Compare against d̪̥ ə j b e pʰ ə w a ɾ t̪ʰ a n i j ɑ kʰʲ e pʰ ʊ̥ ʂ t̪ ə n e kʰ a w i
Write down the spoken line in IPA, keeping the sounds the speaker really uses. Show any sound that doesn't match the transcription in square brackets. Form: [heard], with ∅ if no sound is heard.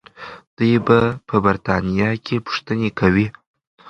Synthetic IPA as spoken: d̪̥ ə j b [a] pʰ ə [b] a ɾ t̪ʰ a n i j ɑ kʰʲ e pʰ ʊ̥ ʂ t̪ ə n e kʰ a w i